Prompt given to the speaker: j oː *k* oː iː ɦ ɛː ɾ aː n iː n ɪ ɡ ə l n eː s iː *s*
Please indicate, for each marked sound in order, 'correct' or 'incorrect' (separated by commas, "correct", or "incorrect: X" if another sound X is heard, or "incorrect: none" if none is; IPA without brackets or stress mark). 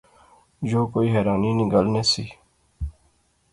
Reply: correct, incorrect: none